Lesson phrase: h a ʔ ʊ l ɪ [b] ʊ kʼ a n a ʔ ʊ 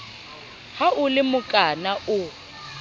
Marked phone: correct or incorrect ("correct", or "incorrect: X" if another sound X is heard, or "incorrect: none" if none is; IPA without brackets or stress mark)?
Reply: incorrect: m